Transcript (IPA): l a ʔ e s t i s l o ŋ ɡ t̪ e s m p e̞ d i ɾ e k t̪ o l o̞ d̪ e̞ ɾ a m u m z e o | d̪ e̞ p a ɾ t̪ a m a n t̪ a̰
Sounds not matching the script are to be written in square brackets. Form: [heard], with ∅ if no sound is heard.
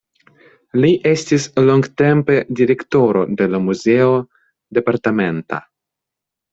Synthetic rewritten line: l [i] ʔ e s t i s l o ŋ ɡ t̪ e [∅] m p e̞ d i ɾ e k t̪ o [ɾ] o̞ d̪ e̞ [l] a m u [∅] z e o | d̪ e̞ p a ɾ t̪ a m [e] n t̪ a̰